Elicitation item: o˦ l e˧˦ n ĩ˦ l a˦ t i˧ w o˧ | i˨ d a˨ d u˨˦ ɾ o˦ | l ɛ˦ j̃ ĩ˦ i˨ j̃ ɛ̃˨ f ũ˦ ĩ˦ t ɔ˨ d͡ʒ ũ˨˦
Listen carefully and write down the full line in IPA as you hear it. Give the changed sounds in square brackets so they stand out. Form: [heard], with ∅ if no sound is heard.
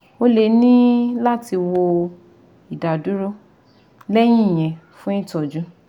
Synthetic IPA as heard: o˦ l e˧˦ n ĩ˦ l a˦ t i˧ w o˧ | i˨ d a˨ d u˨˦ ɾ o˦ | l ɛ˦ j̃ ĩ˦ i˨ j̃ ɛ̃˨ f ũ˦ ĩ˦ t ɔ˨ d͡ʒ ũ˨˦